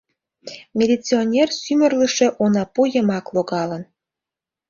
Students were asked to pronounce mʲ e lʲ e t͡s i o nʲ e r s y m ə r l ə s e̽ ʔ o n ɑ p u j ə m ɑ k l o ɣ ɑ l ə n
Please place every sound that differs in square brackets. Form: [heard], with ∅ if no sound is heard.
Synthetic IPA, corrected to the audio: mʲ e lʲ [i] t͡s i o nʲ e r s y m ə r l ə [ʃ] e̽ ʔ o n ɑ p u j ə m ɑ k l o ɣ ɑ l ə n